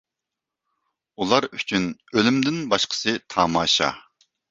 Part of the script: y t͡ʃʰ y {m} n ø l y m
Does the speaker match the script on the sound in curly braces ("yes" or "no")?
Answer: no